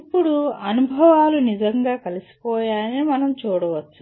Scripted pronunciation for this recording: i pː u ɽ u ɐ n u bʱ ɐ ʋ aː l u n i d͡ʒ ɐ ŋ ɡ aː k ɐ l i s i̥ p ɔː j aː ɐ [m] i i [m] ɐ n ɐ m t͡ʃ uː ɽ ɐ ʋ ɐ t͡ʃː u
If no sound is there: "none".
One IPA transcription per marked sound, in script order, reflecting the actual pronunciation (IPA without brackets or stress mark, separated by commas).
n, m